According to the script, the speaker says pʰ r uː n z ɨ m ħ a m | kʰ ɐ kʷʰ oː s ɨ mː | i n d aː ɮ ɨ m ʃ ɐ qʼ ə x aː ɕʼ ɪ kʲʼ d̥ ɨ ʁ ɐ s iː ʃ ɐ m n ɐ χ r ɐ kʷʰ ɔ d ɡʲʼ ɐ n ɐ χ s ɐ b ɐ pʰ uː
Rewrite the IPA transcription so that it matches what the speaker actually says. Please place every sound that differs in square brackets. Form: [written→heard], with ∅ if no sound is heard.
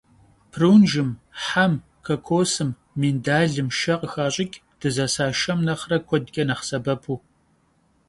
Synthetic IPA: pʰ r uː n [z→ʒ] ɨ m ħ a m | kʰ ɐ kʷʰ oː s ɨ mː | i n d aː ɮ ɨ m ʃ ɐ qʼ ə x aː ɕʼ ɪ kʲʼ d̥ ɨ [ʁ→z] ɐ s [iː→aː] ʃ ɐ m n ɐ χ r ɐ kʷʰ ɔ d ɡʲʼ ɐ n ɐ χ s ɐ b ɐ pʰ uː